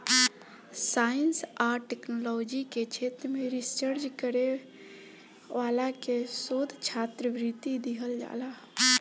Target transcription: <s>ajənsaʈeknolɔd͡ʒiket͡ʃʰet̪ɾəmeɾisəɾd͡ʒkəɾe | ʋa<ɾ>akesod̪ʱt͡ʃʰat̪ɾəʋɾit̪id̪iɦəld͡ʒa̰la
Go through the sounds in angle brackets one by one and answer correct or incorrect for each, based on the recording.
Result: correct, incorrect: l

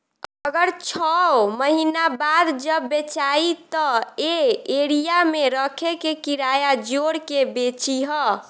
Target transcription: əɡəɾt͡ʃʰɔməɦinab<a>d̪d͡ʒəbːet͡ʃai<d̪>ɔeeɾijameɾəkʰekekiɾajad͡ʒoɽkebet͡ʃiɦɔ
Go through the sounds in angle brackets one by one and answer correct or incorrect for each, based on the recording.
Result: correct, incorrect: t̪

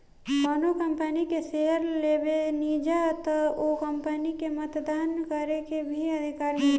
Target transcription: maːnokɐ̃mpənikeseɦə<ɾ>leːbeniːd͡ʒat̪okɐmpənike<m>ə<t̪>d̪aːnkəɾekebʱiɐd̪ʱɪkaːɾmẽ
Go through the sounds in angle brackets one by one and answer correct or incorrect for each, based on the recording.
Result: correct, correct, correct

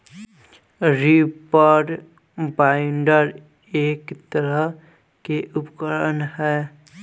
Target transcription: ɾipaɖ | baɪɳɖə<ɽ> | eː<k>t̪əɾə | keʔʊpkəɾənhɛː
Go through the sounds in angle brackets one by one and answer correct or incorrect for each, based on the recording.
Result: incorrect: ɾ, correct

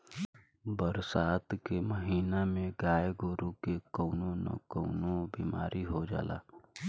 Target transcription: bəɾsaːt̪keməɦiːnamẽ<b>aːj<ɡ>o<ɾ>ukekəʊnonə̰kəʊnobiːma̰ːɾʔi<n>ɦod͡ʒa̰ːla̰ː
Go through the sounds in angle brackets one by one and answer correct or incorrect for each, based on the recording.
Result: incorrect: ɡ, correct, correct, incorrect: none

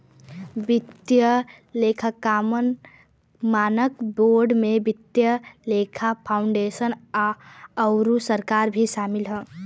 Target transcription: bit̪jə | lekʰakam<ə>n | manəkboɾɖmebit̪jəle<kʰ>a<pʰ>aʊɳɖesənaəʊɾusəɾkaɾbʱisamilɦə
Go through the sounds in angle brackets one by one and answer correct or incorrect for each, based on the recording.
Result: correct, correct, correct

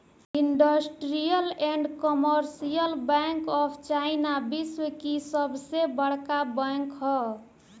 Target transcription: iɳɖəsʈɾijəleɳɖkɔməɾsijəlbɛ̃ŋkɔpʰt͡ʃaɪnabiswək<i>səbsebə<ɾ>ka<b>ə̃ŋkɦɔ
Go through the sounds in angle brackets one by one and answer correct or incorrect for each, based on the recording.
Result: correct, incorrect: ɽ, correct

